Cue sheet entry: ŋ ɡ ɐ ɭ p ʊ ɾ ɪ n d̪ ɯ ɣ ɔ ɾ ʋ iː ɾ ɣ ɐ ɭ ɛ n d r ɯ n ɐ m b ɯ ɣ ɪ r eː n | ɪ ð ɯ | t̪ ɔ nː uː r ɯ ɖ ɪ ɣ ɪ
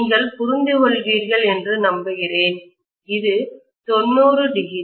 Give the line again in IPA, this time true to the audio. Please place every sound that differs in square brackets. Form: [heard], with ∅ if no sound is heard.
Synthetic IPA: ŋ ɡ ɐ ɭ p ʊ ɾ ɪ n d̪ ɯ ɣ ɔ [ɭ] ʋ iː ɾ ɣ ɐ ɭ ɛ n d r ɯ n ɐ m b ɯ ɣ ɪ r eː n | ɪ ð ɯ | t̪ ɔ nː uː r ɯ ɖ ɪ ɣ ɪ